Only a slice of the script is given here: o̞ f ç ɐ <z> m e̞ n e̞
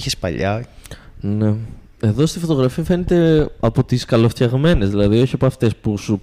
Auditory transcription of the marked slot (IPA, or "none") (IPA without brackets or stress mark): ɣ